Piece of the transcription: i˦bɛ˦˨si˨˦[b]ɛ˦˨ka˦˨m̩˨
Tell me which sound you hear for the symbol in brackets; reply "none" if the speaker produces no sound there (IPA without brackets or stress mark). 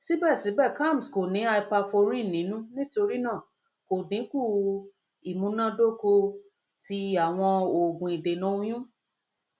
b